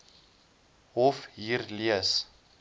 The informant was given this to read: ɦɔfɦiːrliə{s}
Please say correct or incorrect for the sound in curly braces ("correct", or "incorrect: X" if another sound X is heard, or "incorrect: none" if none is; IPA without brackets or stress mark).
correct